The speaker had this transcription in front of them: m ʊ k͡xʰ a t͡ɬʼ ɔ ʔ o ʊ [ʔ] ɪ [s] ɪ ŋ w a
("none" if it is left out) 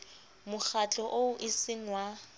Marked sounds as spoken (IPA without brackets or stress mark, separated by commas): ʔ, s